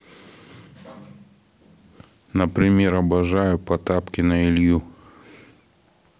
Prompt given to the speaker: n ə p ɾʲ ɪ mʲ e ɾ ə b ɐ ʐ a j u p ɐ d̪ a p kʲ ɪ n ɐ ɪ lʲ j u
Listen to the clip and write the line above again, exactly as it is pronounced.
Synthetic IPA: n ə p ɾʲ ɪ mʲ e ɾ ɐ b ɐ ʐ a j ʊ p ɐ t̪ a p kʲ ɪ n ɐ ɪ lʲ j u